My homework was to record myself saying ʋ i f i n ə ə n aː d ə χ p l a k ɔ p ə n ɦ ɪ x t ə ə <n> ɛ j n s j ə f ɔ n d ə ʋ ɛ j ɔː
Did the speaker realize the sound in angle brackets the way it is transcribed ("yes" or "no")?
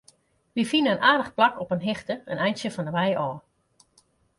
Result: yes